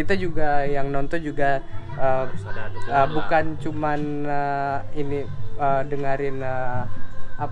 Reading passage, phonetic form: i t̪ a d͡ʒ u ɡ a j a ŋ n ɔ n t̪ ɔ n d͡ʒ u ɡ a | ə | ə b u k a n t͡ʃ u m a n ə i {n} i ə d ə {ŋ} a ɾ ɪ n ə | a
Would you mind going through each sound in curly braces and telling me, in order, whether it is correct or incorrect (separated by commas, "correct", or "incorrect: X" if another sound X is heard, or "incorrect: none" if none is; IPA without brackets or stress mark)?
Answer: correct, correct